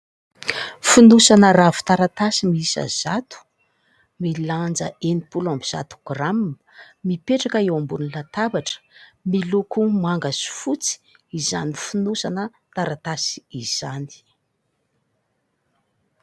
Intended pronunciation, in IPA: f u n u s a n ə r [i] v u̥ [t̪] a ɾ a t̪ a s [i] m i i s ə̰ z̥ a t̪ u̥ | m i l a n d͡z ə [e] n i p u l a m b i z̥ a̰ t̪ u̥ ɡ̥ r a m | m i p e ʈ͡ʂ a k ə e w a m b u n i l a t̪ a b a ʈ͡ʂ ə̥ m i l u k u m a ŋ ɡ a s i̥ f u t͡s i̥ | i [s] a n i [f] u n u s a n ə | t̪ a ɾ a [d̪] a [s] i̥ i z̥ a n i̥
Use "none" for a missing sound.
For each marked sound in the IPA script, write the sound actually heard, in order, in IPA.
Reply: a, t̪, i, e, z, f, t̪, s

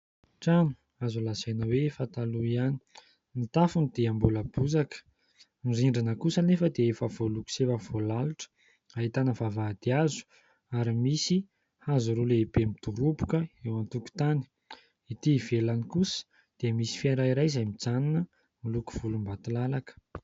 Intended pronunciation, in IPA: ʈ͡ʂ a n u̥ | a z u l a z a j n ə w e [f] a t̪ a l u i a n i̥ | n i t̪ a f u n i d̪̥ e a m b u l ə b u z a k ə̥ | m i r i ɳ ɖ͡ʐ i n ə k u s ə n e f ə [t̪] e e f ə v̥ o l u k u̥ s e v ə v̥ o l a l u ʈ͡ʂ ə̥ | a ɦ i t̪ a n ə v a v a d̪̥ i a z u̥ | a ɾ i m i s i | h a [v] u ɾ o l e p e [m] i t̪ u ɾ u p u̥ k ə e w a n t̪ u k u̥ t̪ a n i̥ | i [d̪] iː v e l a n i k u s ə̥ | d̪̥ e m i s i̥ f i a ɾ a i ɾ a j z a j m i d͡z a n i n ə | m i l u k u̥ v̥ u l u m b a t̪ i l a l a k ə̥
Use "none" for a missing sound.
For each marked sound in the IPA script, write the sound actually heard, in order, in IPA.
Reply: f, d̪, z, m, t̪

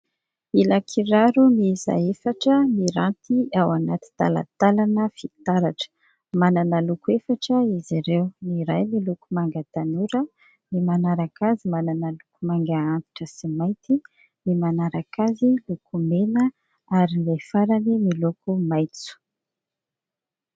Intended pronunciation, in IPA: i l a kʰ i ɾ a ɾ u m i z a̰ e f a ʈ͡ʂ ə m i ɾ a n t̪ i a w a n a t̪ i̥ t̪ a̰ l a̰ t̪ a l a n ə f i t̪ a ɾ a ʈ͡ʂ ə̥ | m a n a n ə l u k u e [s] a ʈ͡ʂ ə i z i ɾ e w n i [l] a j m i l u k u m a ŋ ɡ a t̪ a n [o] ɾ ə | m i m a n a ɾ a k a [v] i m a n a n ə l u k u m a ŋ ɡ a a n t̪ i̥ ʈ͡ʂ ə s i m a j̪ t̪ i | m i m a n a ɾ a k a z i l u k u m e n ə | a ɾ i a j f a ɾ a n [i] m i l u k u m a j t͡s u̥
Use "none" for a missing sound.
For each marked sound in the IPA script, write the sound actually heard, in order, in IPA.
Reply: f, ɾ, u, z, i

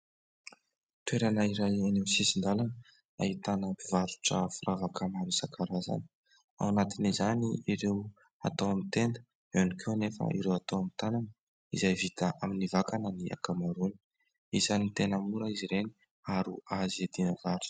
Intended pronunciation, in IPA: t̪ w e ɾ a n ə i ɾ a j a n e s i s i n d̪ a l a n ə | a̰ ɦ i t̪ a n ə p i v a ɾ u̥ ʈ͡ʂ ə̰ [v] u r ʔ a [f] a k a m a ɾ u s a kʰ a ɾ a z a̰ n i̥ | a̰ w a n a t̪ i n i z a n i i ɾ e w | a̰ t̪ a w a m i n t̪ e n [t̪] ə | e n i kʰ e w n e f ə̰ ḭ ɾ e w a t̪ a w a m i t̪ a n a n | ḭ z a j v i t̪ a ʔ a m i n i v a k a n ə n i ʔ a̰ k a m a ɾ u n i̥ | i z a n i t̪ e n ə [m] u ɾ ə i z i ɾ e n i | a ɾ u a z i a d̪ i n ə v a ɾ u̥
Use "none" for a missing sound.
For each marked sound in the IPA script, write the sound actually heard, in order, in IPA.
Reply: f, v, d̪, m

